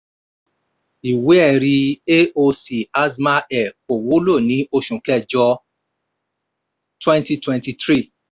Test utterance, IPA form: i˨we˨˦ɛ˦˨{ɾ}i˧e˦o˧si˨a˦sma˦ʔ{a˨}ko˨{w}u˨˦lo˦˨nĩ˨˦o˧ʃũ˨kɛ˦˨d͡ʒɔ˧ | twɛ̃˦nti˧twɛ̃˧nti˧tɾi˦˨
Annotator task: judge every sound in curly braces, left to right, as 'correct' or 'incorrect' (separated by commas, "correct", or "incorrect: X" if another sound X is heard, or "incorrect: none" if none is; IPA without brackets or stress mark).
correct, incorrect: ɛ˨, correct